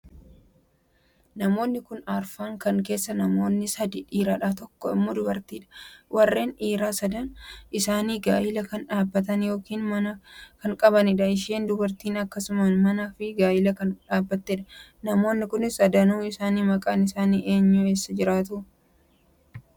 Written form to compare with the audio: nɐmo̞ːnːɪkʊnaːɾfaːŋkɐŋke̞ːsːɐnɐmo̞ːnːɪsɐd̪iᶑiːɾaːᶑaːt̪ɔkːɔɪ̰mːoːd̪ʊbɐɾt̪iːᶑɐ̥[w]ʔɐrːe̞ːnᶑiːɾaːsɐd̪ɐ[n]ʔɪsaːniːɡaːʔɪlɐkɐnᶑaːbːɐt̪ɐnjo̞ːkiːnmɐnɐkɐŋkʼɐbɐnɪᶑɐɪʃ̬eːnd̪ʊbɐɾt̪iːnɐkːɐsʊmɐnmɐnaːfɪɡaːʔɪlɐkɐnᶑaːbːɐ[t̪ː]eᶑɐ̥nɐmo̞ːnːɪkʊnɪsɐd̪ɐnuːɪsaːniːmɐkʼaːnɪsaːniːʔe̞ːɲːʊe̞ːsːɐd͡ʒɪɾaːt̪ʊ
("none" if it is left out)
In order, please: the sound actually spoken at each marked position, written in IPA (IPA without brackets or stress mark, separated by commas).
w, n, t̪ː